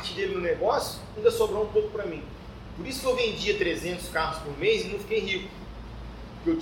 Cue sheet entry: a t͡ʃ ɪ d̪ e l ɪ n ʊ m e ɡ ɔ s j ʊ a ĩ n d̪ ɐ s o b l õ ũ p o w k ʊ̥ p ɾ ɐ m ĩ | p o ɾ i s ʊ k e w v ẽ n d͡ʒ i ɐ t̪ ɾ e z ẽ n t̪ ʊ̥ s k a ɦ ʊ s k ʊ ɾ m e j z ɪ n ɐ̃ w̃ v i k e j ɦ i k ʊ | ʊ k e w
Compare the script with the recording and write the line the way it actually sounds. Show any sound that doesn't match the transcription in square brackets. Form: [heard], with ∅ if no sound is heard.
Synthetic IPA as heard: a t͡ʃ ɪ d̪ e l ɪ n ʊ [n] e ɡ ɔ s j ʊ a ĩ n d̪ ɐ s o b [ɾ] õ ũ p o w k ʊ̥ p ɾ ɐ m ĩ | p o ɾ i s ʊ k e w v ẽ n d͡ʒ i ɐ t̪ ɾ e z ẽ n t̪ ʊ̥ s k a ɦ ʊ s [p] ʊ ɾ m e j z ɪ n ɐ̃ w̃ [f] i k e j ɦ i k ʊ | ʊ k e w